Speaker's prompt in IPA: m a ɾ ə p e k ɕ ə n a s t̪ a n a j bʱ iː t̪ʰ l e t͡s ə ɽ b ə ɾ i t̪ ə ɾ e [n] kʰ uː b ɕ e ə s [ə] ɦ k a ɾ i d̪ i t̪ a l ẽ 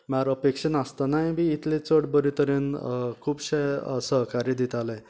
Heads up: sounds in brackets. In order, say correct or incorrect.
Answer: correct, correct

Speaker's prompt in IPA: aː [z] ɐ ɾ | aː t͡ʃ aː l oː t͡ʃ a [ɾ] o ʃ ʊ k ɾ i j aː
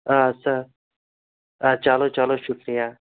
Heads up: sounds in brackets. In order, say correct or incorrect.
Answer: incorrect: s, incorrect: l

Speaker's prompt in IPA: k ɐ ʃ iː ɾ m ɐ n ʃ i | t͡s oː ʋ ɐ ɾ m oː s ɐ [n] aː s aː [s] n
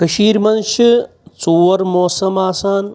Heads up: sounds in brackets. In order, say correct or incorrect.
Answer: incorrect: m, incorrect: none

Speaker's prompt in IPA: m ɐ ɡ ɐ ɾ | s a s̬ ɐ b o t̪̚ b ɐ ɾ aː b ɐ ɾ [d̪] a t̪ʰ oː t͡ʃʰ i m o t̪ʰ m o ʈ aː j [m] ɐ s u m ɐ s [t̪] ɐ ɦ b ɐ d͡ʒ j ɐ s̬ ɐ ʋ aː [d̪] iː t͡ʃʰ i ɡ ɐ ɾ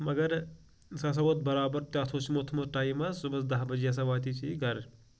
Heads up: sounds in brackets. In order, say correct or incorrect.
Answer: incorrect: t̪, correct, incorrect: d̪, incorrect: t̪

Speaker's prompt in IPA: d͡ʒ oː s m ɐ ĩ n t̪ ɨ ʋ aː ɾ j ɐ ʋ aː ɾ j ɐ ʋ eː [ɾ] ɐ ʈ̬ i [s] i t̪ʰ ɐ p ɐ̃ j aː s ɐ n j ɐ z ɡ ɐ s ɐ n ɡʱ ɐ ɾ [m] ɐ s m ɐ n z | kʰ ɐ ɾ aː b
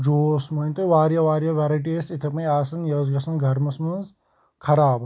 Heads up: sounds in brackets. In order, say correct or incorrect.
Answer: correct, correct, correct

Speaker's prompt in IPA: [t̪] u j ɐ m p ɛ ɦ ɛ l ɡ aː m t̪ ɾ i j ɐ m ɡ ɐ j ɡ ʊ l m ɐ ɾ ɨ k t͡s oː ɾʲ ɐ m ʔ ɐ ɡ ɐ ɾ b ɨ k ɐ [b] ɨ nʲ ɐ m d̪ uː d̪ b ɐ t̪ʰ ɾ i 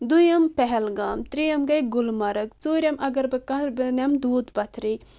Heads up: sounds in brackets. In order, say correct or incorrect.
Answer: incorrect: d̪, correct

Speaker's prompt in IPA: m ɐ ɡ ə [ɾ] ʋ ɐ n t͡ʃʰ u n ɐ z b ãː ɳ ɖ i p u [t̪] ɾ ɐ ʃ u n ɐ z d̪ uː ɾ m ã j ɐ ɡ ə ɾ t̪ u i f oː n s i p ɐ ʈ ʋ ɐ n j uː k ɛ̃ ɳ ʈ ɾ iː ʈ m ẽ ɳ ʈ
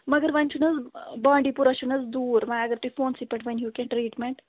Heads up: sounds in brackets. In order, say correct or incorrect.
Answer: correct, incorrect: none

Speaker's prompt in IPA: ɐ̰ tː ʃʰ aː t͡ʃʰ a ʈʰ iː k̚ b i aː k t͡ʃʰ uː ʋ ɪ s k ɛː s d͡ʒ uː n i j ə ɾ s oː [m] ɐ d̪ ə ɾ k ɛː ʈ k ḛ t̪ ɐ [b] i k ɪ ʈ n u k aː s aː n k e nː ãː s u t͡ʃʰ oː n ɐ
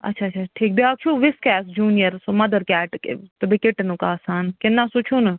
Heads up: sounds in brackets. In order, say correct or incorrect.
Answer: correct, correct

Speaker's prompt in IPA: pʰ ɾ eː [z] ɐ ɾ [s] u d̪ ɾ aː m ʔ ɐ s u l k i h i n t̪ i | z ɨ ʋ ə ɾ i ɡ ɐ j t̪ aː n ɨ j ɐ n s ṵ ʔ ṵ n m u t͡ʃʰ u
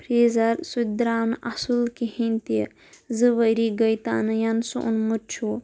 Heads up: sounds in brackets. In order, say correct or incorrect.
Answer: correct, correct

